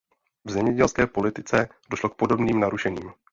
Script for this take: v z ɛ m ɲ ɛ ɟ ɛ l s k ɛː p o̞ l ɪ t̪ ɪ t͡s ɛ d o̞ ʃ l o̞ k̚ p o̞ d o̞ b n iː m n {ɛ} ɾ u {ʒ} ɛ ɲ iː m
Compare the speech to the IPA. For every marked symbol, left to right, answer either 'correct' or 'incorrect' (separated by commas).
incorrect, incorrect